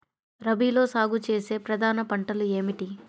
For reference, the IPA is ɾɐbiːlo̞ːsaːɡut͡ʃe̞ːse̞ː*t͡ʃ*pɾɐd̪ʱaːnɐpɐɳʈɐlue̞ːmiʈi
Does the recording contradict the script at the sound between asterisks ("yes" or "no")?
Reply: yes